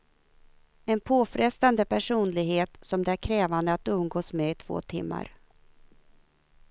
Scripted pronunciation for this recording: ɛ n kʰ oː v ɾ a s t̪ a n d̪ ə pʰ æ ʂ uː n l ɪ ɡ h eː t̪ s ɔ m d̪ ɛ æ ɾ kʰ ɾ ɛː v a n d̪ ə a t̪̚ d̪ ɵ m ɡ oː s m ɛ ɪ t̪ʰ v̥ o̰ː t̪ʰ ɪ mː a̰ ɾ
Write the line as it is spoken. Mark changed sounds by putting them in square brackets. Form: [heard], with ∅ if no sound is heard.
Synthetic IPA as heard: ɛ n [pʰ] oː [f] ɾ [ɛ] s t̪ a n d̪ ə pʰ æ ʂ uː n l ɪ ɡ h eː t̪ s ɔ m d̪ ɛ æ ɾ kʰ ɾ ɛː v a n d̪ ə a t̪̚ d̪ ɵ m ɡ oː s m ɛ ɪ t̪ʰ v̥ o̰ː t̪ʰ ɪ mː a̰ ɾ